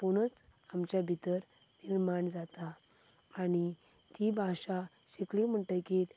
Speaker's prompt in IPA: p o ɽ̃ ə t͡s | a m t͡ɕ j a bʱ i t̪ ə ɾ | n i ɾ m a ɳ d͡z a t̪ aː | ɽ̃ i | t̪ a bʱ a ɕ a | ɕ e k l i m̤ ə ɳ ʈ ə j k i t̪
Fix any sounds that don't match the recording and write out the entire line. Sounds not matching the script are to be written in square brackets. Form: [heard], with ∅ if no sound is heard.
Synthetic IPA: p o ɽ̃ ə t͡s | a m t͡ɕ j a bʱ i t̪ ə ɾ | n i ɾ m a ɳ d͡z a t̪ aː | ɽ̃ i | t̪ [i] bʱ a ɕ a | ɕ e k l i m̤ ə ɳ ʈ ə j k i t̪